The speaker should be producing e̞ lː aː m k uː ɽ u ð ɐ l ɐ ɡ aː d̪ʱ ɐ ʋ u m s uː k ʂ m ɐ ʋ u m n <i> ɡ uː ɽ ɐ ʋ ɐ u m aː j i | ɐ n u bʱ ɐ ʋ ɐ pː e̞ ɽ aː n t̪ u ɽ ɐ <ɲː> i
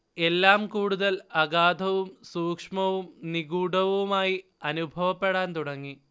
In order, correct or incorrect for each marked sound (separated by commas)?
correct, incorrect